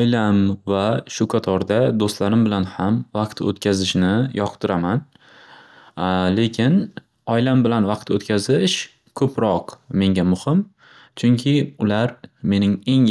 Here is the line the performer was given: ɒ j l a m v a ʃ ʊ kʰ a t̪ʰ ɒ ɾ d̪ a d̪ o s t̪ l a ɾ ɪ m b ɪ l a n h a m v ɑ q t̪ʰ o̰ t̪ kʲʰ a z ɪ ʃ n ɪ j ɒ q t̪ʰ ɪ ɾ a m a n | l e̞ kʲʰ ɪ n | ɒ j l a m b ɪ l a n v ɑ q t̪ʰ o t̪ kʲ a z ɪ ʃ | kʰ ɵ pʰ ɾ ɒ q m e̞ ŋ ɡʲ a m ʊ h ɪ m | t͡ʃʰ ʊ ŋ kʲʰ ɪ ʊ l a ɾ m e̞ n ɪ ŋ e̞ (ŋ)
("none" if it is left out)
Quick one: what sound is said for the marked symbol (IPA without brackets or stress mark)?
ŋ